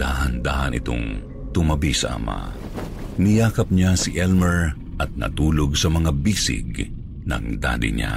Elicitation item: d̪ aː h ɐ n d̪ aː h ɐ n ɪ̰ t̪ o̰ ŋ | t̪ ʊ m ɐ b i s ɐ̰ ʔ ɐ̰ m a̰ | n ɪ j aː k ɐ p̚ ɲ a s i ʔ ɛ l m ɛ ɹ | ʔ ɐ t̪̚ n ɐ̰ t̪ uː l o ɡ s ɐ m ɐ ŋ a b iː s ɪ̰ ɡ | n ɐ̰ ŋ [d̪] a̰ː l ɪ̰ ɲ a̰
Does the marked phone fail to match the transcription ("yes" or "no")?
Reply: no